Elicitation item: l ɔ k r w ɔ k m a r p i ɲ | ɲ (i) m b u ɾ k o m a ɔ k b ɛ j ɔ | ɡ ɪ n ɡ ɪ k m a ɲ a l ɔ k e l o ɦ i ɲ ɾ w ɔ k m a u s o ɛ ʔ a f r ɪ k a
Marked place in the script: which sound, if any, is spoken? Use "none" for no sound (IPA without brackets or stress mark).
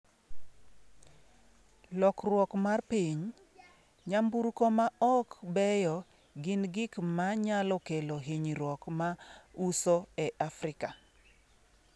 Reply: a